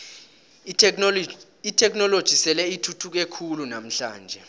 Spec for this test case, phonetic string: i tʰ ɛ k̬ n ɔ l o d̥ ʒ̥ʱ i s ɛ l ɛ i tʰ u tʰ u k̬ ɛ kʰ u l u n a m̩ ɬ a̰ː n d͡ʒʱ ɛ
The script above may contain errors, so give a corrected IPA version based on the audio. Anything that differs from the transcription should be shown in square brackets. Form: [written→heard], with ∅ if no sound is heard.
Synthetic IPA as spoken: i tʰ ɛ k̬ n ɔ l o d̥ ʒ̥ʱ i s ɛ l ɛ i tʰ u tʰ u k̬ [ɛ→e] kʰ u l u n a m̩ ɬ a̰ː n d͡ʒʱ ɛ

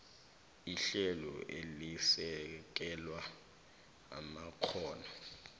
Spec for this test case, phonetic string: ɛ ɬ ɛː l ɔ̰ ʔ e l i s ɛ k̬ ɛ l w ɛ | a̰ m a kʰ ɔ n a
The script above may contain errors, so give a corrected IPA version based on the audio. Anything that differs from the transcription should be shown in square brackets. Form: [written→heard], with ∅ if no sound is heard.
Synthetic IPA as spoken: [ɛ→i] ɬ [ɛː→ɛ] l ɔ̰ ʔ e l i s ɛ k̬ ɛ l w [ɛ→a] | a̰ m a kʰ [ɔ→ɔː] n a

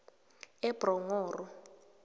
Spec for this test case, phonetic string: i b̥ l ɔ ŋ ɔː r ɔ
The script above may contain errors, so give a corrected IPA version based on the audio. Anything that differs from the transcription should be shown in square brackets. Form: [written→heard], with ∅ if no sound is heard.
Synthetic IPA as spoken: [i→ɛ] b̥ [l→r] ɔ ŋ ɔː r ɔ

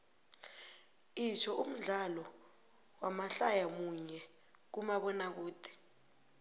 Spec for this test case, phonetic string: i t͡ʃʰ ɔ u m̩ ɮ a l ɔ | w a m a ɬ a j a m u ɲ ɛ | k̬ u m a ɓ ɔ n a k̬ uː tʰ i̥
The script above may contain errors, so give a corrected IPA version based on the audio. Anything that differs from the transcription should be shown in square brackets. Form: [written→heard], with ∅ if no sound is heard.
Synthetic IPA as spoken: i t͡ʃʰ ɔ u m̩ ɮ a l ɔ | w a m a ɬ a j a m u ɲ ɛ | k̬ u m a ɓ ɔ n a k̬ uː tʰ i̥

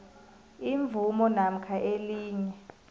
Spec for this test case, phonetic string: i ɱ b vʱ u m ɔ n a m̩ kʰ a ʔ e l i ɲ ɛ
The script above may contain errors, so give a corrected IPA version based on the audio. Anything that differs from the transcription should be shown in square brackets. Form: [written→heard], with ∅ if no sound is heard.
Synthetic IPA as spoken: i ɱ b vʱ u m ɔ n a m̩ kʰ a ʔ e l [i→iː] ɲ ɛ

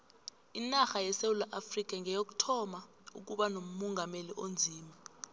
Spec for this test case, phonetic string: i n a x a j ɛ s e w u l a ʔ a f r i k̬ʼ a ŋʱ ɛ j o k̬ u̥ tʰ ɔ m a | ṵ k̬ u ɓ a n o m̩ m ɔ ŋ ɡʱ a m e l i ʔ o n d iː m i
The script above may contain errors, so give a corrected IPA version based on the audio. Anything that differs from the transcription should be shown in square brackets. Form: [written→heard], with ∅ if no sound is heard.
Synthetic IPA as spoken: i n a x a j ɛ s e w u l a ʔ a f r i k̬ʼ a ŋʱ ɛ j o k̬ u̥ tʰ ɔ m a | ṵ k̬ u ɓ a n o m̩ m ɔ ŋ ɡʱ a m e l i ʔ o n [d→d͡zʱ] iː m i

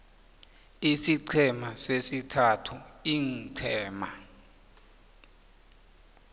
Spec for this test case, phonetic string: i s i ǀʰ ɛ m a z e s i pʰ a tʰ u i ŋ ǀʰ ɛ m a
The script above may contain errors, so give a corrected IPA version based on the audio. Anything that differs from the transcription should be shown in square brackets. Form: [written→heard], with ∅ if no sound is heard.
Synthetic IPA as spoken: i s i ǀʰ ɛ m a [z→s] e s i [pʰ→tʰ] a tʰ u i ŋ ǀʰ [ɛ→ɛː] m a

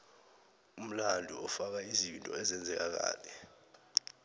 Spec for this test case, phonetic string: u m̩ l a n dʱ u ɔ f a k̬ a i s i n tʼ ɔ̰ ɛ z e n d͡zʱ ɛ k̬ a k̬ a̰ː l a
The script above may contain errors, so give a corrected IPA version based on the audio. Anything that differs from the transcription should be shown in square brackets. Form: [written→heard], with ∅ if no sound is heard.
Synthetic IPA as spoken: u m̩ l a n dʱ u ɔ f a k̬ a i [s→z] i n tʼ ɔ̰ ɛ z [e→ɛ] n d͡zʱ ɛ k̬ a k̬ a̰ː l [a→ɛ]

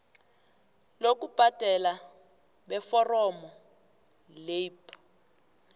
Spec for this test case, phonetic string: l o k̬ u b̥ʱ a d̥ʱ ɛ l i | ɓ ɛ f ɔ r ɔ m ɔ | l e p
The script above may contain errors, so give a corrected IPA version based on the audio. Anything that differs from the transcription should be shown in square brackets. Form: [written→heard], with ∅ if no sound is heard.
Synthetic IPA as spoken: l o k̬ u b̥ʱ a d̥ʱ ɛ l [i→a] | ɓ ɛ f ɔ r ɔ m ɔ | l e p

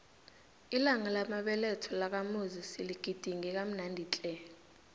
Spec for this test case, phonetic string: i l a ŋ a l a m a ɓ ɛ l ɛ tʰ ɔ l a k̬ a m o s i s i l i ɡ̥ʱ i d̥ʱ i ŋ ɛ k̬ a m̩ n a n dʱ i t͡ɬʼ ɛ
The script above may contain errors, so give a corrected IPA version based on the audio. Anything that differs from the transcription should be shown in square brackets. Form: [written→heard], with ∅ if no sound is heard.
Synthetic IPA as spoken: i l a ŋ a l a m a ɓ ɛ l ɛ tʰ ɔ l a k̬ a m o [s→z] i s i l i ɡ̥ʱ i d̥ʱ i ŋ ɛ k̬ a m̩ n a n dʱ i t͡ɬʼ ɛ

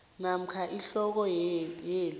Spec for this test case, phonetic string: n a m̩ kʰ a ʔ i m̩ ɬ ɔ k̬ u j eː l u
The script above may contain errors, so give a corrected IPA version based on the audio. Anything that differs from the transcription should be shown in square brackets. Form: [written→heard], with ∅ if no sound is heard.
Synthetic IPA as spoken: n a m̩ kʰ a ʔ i [m̩→∅] ɬ ɔ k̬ [u→ɔ] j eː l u

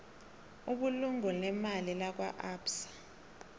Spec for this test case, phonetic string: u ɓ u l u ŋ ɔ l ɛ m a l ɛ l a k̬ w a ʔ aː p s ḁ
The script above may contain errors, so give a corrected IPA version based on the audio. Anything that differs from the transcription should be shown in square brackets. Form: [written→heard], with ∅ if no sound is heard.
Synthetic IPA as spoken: u ɓ u l u ŋ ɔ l ɛ m a l [ɛ→i] l a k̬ w a ʔ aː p s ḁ

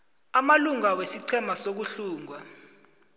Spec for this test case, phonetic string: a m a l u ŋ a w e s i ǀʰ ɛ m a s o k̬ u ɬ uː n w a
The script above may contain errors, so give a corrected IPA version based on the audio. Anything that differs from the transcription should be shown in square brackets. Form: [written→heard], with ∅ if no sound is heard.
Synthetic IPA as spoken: a m a l u ŋ a w e s i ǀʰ ɛ m a s o k̬ u ɬ uː [n→ŋ] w a

